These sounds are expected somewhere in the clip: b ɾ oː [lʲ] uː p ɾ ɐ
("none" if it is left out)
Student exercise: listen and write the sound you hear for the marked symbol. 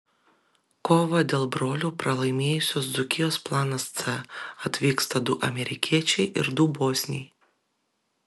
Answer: lʲ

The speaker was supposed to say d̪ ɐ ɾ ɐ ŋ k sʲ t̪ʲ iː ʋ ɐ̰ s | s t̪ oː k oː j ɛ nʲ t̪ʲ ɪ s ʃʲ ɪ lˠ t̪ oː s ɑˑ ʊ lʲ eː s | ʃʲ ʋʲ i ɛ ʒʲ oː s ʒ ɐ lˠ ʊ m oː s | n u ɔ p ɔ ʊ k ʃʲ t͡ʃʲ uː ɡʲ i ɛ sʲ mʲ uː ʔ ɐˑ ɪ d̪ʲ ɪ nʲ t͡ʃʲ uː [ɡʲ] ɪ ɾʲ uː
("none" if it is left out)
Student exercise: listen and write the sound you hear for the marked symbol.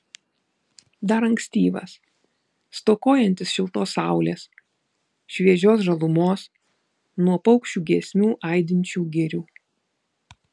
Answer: ɡʲ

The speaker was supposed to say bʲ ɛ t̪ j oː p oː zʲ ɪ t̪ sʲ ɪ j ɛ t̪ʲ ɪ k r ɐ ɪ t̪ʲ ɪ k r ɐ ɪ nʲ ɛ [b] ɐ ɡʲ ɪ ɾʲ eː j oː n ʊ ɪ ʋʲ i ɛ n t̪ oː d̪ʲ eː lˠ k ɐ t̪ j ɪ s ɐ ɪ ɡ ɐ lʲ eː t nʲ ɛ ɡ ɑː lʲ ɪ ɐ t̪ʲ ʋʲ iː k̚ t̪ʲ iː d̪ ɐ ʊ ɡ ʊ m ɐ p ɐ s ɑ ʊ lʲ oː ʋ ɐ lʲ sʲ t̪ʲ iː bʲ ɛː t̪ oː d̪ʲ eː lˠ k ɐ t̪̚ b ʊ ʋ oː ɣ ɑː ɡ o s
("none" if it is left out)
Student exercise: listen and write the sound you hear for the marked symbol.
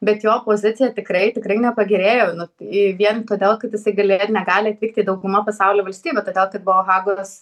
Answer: p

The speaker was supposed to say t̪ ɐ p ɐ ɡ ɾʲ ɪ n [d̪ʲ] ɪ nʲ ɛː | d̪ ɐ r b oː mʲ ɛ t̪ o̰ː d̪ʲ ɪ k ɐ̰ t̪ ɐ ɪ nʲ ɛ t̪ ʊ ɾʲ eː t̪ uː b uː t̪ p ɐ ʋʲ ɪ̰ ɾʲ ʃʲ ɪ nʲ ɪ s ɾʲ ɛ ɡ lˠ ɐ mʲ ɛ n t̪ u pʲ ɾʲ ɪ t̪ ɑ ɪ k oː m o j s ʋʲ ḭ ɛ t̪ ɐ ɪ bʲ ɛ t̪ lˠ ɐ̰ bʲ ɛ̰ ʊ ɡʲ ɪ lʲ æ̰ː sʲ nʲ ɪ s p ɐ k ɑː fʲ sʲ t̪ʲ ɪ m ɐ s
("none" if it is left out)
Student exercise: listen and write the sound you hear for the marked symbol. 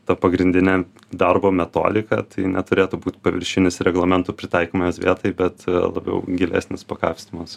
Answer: d̪ʲ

